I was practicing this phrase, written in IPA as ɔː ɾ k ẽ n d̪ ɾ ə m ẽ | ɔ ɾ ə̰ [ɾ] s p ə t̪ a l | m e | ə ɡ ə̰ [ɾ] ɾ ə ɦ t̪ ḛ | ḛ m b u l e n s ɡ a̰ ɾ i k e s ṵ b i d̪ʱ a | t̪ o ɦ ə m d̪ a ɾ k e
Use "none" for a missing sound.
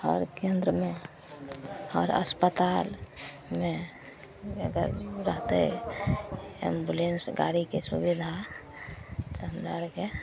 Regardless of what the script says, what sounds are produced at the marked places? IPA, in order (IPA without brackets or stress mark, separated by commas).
none, ɾ